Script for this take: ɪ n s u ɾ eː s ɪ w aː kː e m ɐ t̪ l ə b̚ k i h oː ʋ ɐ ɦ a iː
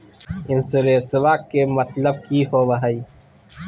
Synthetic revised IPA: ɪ n s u ɾ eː s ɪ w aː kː e m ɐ t̪ l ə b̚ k i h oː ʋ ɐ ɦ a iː

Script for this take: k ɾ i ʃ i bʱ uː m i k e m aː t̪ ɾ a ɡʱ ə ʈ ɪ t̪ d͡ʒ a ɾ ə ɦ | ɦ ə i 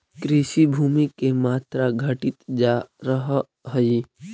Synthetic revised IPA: k ɾ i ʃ i bʱ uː m i k e m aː t̪ ɾ a ɡʱ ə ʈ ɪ t̪ d͡ʒ a ɾ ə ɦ | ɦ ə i

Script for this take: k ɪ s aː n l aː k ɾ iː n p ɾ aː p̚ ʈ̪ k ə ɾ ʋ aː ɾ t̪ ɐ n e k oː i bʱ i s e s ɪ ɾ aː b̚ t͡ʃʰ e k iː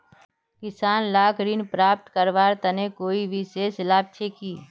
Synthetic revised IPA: k ɪ s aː n l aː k ɾ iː n p ɾ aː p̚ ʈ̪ k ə ɾ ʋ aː ɾ t̪ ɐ n e k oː i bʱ i s e s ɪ l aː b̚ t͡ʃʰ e k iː

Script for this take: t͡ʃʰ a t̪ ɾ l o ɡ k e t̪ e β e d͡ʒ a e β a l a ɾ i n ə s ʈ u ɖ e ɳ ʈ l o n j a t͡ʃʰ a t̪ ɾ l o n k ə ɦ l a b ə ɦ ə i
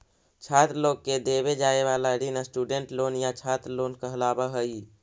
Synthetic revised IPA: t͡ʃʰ a t̪ ɾ l o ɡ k e d̪ e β e d͡ʒ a e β a l a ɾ i n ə s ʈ u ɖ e ɳ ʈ l o n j a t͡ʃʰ a t̪ ɾ l o n k ə ɦ l a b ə ɦ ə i

